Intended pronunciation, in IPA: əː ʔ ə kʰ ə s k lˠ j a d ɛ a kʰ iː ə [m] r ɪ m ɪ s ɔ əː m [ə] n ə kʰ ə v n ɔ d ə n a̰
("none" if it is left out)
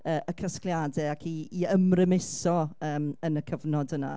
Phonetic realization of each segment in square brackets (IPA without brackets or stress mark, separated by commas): m, ə